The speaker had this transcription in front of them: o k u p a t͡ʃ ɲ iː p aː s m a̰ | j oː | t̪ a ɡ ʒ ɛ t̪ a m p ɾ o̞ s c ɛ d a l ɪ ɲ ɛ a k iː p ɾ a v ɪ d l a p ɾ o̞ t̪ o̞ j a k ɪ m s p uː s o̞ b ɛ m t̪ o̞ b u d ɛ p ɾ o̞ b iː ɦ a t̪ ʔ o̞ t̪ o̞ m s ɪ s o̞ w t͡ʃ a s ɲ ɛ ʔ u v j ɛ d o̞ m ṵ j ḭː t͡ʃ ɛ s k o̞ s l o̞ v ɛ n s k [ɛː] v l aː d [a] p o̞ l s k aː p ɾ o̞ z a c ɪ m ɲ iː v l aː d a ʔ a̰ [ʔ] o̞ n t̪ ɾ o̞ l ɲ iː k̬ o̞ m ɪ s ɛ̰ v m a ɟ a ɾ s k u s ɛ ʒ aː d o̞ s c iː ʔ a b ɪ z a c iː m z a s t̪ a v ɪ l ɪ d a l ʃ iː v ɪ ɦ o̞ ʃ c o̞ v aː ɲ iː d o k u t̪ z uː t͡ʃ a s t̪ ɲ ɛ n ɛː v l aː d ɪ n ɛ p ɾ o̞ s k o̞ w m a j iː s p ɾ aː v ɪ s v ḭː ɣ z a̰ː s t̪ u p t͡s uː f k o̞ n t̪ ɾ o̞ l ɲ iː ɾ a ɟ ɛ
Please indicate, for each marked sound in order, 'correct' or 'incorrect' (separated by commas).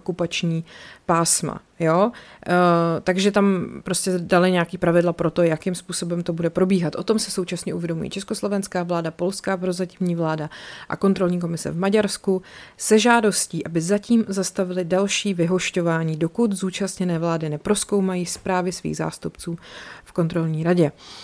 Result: incorrect, correct, incorrect